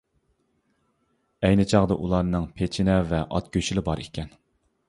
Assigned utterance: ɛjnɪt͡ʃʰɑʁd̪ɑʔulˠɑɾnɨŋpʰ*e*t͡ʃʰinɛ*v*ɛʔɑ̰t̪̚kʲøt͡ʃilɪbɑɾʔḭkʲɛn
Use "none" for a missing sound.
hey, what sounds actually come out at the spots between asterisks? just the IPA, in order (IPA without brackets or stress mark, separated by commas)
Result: e, v